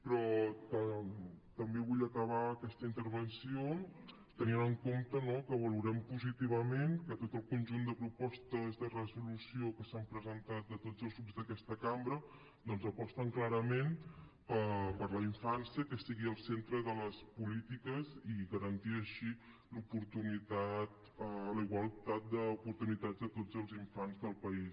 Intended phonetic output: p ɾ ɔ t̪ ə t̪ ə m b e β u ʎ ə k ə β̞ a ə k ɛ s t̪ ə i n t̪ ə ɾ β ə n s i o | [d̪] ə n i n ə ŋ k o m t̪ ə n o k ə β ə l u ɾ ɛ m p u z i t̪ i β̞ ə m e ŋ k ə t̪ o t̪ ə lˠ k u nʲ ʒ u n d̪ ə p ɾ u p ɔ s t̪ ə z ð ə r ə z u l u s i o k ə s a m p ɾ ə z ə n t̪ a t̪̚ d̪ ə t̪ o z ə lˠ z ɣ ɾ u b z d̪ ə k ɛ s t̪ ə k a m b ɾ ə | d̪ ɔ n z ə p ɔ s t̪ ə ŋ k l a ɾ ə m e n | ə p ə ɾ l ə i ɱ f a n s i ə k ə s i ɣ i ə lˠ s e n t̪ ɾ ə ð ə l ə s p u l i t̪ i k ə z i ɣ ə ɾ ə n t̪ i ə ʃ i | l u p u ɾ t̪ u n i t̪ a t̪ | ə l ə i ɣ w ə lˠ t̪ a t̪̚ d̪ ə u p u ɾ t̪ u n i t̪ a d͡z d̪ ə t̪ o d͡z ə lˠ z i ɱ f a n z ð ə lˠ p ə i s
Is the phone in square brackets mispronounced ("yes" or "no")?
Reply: yes